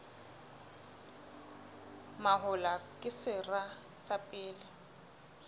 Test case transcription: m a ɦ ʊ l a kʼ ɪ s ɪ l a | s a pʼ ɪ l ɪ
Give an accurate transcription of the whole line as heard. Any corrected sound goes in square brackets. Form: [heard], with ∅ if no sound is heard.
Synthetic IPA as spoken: m a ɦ ʊ l a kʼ ɪ s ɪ [r] a | s a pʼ [ɪː] l ɪ